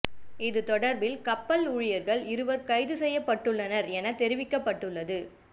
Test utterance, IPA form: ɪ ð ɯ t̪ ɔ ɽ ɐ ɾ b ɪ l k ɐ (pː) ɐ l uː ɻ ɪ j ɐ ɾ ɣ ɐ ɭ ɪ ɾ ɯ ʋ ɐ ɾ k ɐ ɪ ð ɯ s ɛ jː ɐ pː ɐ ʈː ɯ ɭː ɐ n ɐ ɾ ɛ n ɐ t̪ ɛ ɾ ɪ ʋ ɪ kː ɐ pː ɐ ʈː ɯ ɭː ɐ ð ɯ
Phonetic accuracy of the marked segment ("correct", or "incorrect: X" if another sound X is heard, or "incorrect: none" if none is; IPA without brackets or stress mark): correct